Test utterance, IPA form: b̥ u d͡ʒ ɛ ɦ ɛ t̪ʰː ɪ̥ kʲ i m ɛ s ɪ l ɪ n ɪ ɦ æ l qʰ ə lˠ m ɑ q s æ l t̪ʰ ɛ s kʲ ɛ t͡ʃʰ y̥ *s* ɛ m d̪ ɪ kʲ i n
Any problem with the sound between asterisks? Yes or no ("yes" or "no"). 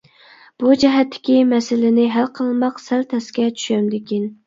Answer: yes